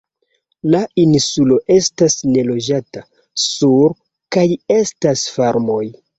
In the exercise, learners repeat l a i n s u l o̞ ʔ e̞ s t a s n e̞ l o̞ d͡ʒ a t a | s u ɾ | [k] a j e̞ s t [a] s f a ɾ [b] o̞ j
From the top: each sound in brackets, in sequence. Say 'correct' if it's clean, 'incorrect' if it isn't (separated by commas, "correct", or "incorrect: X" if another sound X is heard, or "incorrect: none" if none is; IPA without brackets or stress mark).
correct, correct, incorrect: m